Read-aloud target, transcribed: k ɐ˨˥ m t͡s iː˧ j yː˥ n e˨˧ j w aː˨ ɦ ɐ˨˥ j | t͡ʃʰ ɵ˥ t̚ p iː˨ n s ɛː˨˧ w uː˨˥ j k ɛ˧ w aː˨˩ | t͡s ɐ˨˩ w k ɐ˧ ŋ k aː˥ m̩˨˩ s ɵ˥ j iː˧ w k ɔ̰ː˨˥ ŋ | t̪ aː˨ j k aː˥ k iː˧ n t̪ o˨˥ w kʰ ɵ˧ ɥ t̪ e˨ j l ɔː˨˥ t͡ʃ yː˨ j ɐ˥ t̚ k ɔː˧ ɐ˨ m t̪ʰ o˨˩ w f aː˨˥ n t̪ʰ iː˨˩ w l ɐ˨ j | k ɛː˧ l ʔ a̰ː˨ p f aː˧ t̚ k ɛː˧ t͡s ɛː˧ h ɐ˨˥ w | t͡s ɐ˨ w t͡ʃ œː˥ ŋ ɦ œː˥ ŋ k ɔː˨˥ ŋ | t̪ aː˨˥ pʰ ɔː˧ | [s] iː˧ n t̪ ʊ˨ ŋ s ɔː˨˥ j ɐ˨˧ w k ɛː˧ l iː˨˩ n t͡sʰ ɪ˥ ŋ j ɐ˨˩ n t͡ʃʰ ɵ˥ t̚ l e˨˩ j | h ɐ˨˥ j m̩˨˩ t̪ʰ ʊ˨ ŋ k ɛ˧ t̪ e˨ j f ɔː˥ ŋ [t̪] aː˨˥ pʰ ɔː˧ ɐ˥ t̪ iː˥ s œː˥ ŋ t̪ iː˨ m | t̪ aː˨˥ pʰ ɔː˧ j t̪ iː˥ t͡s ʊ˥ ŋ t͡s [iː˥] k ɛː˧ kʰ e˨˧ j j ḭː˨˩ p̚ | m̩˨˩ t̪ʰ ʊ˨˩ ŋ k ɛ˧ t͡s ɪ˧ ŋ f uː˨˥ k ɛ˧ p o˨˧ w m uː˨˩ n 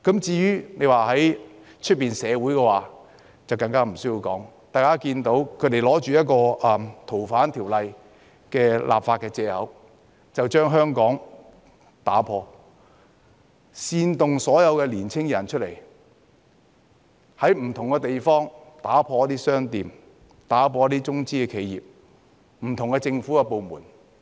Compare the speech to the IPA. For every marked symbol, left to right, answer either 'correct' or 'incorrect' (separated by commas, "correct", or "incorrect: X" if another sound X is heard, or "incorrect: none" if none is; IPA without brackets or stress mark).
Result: correct, correct, correct